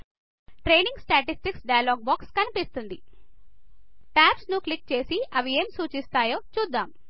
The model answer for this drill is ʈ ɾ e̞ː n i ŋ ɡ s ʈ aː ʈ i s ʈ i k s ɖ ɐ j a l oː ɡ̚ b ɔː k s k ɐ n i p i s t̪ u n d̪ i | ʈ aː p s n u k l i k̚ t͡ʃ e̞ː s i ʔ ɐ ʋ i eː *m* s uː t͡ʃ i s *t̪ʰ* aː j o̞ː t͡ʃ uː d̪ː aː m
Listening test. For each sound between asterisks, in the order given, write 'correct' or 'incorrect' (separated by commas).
correct, incorrect